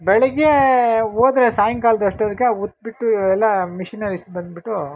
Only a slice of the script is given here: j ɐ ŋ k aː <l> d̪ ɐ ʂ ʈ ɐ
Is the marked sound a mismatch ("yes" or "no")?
no